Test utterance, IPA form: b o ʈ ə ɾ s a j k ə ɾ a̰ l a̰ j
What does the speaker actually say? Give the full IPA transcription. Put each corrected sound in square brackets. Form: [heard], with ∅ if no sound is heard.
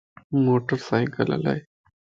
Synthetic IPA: [m] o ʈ ə ɾ s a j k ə [l] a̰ l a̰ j